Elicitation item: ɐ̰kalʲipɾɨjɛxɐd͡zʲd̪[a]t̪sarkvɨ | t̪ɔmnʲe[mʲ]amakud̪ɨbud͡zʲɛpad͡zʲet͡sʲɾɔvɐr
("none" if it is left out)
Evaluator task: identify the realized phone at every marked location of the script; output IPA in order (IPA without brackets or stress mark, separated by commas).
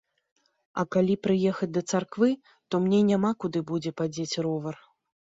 ɐ, nʲ